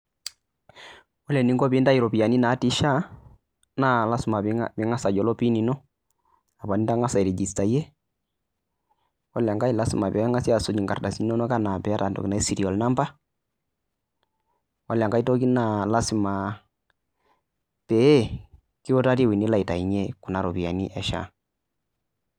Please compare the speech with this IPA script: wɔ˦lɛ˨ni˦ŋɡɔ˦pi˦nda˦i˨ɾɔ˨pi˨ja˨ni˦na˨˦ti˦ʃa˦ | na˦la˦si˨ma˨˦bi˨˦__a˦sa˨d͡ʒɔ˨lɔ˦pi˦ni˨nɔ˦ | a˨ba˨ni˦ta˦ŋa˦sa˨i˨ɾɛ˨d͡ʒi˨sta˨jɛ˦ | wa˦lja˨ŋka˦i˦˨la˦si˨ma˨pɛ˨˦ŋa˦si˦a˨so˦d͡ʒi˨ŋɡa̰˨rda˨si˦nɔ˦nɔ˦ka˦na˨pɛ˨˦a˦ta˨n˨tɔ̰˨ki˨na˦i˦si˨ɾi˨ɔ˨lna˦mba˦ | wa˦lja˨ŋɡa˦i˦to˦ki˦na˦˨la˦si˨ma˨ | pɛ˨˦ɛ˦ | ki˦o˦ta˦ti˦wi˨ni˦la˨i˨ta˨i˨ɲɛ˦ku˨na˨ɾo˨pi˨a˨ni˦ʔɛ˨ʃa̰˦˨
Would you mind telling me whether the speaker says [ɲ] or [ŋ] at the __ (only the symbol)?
ŋ